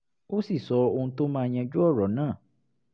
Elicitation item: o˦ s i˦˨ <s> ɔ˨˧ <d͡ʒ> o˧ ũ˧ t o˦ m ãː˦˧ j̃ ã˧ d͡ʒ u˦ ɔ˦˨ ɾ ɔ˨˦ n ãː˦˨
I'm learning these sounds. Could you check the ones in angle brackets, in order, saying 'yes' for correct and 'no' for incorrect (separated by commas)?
yes, no